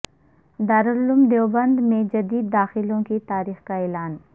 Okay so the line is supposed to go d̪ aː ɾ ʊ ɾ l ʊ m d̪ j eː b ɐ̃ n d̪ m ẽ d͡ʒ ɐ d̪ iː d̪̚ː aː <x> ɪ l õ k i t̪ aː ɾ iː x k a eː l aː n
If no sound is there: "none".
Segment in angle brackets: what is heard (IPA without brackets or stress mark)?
x